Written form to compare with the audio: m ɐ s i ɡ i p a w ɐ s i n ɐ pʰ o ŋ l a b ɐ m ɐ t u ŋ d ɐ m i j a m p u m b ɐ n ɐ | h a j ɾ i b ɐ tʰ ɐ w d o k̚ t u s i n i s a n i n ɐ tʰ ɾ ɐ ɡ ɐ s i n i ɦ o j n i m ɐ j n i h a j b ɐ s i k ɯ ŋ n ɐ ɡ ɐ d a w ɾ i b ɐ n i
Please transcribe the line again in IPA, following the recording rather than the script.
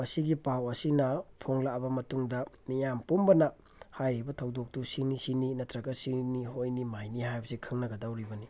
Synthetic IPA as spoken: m ɐ s i ɡ i p a w ɐ s i n ɐ pʰ o ŋ l a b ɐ m ɐ t u ŋ d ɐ m i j a m p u m b ɐ n ɐ | h a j ɾ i b ɐ tʰ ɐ w d o k̚ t u s i n i s i n i n ɐ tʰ ɾ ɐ ɡ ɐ s i n i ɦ o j n i m a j n i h a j b ɐ s i kʰ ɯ ŋ n ɐ ɡ ɐ d a w ɾ i b ɐ n i